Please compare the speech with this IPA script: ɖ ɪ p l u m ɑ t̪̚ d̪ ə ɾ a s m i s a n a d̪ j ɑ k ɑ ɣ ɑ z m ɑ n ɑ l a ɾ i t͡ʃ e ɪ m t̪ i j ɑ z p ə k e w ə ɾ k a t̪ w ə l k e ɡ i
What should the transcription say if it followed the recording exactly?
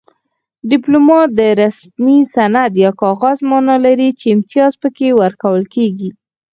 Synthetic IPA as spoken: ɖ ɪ p l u m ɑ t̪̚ d̪ ə ɾ a s m i s a n a d̪ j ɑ k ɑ ɣ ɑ z m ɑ n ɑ l a ɾ i t͡ʃ e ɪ m t̪ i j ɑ z p ə k e w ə ɾ k a w ə l k e ɡ i